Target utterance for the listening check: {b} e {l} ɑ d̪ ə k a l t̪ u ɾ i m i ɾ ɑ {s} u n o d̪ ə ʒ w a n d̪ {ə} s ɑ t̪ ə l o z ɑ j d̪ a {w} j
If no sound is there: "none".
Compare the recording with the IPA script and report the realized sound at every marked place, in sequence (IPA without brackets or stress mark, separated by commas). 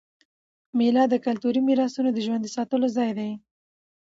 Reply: m, l, s, ə, none